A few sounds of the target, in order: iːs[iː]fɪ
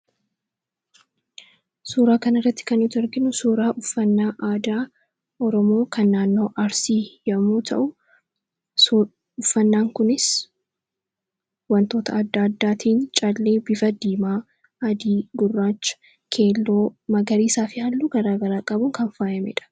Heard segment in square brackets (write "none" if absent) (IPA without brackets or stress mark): aː